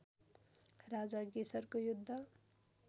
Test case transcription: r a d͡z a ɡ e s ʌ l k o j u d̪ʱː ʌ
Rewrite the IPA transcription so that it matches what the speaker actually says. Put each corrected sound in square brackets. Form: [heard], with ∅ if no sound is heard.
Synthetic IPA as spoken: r a d͡z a ɡ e s ʌ [r] k o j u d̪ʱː ʌ